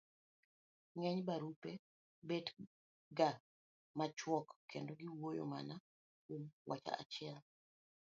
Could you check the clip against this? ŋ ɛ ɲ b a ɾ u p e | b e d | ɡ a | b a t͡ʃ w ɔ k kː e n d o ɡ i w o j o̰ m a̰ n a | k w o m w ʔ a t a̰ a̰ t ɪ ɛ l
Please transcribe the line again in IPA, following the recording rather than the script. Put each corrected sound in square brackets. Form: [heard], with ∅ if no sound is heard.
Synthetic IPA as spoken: ŋ ɛ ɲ b a ɾ u p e | b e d | ɡ a | [m] a t͡ʃ w ɔ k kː e n d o ɡ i w o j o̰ m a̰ n a | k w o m w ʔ a [t͡ʃ] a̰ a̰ [t͡ʃ] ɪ ɛ l